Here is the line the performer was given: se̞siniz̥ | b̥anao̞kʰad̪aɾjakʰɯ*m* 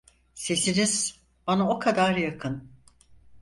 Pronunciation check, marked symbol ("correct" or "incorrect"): incorrect